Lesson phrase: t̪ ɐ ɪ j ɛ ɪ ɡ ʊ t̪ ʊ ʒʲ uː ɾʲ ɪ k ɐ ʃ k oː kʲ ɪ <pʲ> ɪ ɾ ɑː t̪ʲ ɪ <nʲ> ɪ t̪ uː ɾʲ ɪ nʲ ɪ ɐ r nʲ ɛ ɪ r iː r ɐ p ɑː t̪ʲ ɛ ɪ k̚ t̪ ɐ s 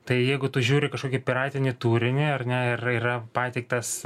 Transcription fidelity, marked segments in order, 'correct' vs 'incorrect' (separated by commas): correct, correct